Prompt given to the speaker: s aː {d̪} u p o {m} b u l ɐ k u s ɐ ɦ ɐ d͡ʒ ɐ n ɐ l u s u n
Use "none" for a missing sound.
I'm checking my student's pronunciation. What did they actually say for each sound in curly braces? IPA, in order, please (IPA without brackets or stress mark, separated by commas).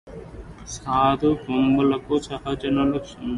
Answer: d̪, m